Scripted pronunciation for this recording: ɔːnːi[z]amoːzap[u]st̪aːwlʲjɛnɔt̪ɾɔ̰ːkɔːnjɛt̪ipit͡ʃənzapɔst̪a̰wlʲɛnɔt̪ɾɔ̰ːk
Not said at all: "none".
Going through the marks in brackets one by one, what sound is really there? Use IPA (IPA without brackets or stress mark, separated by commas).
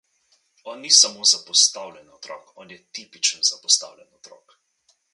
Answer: s, ɔ